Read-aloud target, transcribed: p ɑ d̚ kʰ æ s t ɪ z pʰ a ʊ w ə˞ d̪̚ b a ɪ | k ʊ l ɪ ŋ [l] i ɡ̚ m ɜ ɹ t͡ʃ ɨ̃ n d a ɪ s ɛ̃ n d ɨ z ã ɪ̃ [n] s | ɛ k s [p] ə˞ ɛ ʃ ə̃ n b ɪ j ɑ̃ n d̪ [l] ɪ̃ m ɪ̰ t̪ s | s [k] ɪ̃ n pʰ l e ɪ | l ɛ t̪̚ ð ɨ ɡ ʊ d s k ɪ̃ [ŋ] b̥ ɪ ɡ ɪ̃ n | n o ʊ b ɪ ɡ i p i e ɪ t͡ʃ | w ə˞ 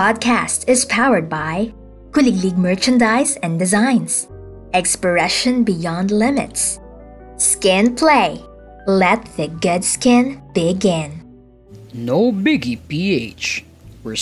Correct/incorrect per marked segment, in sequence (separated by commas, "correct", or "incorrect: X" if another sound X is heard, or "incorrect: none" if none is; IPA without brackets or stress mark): correct, correct, correct, correct, correct, incorrect: n